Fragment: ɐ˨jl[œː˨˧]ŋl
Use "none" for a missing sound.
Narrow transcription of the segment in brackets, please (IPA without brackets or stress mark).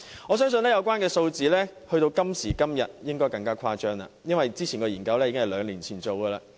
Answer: œː˨˧